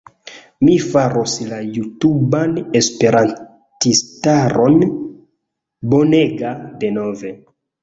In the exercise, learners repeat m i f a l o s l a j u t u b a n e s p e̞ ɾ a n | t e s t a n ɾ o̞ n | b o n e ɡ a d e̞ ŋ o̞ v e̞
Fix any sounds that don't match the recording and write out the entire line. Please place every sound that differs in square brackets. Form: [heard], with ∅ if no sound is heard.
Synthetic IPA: m i f a [ɾ] o s l a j u t u b a n e s p e̞ ɾ a n | t [i] s t a [∅] ɾ o̞ n | b o n e ɡ a d e̞ [n] o̞ v e̞